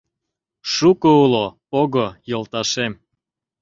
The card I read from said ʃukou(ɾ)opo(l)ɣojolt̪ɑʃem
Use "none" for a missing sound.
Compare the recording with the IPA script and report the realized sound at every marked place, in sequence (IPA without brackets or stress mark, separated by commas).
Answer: l, none